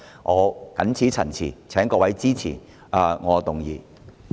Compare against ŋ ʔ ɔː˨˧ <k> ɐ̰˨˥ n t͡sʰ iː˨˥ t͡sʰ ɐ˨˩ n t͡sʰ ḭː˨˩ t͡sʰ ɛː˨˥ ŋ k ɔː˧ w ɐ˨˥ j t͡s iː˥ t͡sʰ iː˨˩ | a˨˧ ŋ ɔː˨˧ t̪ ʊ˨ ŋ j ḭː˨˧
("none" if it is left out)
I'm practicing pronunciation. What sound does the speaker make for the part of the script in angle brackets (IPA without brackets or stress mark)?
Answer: k